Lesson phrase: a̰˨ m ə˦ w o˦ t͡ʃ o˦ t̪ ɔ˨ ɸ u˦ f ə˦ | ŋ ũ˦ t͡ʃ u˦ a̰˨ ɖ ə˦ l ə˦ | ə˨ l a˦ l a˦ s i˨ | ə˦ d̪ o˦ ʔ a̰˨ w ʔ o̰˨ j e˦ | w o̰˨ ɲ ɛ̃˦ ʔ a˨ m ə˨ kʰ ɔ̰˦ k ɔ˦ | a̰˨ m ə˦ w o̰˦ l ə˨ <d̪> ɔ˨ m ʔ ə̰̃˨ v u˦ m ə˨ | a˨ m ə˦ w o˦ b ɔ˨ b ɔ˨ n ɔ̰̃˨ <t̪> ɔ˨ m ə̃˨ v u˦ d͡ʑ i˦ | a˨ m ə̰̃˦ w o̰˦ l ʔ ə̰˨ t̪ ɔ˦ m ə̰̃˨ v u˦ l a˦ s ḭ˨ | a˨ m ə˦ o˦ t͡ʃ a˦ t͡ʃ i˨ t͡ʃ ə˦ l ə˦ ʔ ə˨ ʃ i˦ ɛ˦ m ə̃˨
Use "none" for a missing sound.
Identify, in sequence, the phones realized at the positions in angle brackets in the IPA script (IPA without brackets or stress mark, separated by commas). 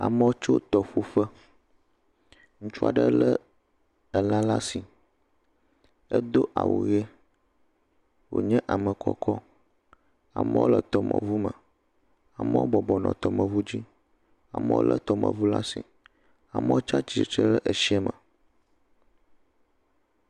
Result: t̪, t̪